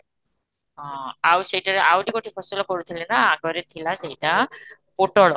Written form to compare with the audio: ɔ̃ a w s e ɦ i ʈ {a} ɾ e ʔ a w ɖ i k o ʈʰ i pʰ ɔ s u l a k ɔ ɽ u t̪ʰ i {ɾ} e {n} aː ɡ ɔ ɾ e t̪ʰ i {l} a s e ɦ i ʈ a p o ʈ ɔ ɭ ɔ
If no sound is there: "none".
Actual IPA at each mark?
a, l, n, l

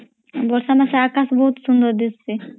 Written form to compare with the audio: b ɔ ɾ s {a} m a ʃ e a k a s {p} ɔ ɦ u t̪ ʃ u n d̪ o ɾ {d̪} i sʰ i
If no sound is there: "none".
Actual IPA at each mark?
a, b, d̪

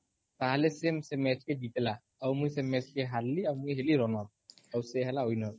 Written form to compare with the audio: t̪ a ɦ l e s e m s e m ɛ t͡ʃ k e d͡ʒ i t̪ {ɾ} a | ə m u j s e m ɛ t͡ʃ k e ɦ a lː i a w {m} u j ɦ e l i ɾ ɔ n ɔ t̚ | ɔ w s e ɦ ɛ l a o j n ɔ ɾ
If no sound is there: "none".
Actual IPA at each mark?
l, m

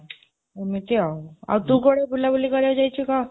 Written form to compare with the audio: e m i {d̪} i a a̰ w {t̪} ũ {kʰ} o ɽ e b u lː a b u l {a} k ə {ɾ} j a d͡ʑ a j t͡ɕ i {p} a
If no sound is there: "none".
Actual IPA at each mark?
t̪, t̪, k, i, ɾ, k

